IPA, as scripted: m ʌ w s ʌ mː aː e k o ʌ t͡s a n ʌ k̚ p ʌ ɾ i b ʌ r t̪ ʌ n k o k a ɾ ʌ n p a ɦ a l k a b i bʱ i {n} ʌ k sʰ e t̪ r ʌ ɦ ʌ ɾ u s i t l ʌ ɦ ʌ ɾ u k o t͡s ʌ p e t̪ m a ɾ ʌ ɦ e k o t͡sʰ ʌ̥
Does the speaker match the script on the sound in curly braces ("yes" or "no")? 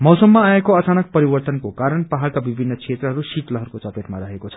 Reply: no